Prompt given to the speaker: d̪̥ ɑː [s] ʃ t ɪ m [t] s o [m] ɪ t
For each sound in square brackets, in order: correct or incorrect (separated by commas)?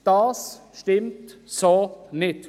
correct, correct, incorrect